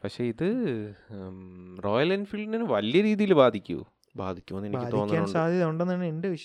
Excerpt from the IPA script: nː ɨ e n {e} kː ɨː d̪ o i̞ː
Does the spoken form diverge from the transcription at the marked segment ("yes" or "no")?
yes